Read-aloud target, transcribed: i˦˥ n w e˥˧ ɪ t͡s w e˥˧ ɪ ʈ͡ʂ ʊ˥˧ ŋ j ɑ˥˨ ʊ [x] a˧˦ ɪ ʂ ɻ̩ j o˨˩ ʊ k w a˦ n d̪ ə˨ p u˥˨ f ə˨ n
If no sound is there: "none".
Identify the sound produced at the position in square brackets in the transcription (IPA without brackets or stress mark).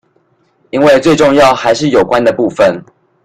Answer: x